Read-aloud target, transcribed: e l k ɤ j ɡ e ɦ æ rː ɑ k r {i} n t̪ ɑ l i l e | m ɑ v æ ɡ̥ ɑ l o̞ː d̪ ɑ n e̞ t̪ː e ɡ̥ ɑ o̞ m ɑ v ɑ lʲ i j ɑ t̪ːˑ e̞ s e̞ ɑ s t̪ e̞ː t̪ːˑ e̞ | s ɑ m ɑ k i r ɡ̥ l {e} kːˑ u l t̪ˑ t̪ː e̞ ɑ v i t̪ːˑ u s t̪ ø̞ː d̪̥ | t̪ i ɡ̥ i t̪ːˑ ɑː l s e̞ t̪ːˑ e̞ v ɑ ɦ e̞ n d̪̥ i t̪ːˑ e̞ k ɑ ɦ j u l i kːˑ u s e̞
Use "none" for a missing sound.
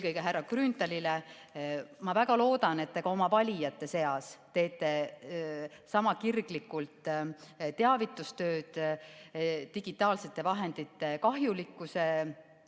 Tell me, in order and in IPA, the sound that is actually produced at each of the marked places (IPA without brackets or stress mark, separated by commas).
y, i